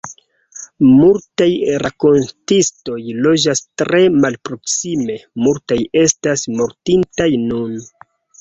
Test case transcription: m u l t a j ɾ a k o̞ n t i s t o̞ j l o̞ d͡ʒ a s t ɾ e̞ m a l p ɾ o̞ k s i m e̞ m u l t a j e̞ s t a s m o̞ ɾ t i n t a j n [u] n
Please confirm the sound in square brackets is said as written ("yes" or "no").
yes